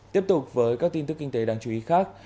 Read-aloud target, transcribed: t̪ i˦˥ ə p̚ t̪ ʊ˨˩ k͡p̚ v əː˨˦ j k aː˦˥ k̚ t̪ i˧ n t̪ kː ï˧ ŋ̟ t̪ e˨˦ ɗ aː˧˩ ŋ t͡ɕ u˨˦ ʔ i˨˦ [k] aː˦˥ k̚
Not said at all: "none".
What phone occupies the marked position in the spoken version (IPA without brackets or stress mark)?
x